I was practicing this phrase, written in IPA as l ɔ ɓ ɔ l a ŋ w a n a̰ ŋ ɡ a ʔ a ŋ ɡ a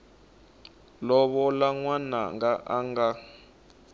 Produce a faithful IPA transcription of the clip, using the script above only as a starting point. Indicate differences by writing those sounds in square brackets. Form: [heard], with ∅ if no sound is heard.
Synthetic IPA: l ɔ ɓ ɔ l a ŋ w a n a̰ ŋ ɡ a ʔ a ŋ ɡ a

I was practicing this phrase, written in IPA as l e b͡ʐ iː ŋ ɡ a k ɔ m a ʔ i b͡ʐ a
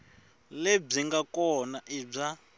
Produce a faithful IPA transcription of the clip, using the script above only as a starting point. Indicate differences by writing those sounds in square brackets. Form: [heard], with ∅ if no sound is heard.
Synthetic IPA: l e b͡ʐ [i] ŋ ɡ a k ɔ [n] a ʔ i b͡ʐ a

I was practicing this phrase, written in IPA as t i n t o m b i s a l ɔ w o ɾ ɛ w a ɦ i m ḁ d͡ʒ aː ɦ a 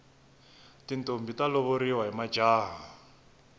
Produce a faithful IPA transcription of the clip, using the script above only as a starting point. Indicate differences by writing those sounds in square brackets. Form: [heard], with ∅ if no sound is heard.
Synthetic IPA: t i n t o m b i [t] a l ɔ [β] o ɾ [i] w a ɦ i m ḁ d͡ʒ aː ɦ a

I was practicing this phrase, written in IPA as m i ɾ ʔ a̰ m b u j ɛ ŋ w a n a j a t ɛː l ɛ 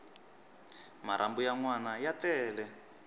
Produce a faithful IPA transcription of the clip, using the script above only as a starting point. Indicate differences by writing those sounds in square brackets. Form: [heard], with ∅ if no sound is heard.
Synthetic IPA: m [a] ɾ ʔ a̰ m b u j [a] ŋ w a n a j a t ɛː l ɛ

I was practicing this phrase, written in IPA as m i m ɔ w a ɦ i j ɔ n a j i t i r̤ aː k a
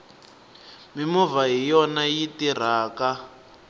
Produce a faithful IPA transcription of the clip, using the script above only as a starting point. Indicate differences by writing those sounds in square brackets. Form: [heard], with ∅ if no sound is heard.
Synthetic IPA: m i m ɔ [v] a ɦ i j ɔ n a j i t i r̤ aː k a

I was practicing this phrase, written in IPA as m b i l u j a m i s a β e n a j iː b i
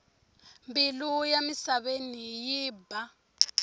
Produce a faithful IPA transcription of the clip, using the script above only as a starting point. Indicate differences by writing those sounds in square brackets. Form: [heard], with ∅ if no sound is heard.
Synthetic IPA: m b i l u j a m i s a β e n [i] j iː b [a]

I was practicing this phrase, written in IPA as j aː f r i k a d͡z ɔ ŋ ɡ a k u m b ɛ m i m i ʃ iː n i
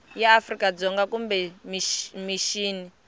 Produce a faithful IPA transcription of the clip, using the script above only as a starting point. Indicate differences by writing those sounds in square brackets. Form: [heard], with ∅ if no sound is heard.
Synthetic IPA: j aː f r i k a d͡z ɔ ŋ ɡ a k u m b ɛ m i m i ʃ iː n i

